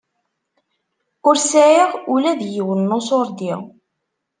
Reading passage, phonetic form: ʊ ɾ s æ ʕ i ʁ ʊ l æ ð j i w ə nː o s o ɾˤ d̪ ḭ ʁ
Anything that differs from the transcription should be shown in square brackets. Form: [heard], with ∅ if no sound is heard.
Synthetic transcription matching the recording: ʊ ɾ s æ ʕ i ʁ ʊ l æ ð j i w ə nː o s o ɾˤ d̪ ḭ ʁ